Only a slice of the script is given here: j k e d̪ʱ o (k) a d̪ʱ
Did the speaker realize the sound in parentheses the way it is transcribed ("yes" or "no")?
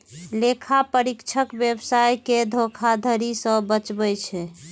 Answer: no